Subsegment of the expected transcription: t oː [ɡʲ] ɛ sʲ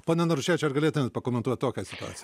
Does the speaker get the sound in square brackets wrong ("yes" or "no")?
yes